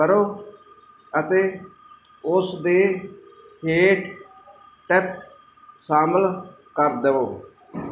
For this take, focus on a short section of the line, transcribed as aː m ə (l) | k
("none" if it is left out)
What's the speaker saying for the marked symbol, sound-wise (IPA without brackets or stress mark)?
l